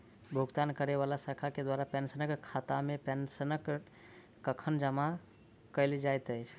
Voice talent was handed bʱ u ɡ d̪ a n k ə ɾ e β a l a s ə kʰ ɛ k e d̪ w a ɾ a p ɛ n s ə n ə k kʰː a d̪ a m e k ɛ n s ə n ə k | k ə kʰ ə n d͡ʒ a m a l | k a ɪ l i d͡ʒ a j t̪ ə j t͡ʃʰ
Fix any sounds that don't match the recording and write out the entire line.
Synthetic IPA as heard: bʱ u ɡ t̪ a n k ə ɾ e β a l a s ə kʰ a k e d̪ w a ɾ a p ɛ n s ə n ə k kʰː a t̪ a m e p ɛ n s ə n ə k | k ə kʰ ə n d͡ʒ ə m a | k ə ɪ l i d͡ʒ a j t̪ ə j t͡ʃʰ